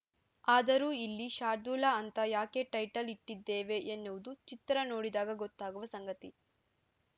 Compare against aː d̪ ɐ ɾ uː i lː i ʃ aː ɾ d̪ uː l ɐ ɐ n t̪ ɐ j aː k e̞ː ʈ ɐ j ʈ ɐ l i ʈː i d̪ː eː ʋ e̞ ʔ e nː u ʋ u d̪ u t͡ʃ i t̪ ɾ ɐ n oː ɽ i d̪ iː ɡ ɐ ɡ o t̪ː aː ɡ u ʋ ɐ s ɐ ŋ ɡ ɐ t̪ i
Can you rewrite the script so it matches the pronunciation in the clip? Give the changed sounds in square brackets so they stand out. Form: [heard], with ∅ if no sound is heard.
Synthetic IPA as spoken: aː d̪ ɐ ɾ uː i lː i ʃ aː ɾ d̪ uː l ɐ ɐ n t̪ ɐ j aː k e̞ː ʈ ɐ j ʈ ɐ l i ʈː i d̪ː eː ʋ e̞ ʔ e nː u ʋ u d̪ u t͡ʃ i t̪ ɾ ɐ n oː ɽ i d̪ [aː] ɡ ɐ ɡ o t̪ː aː ɡ u ʋ ɐ s ɐ ŋ ɡ ɐ t̪ i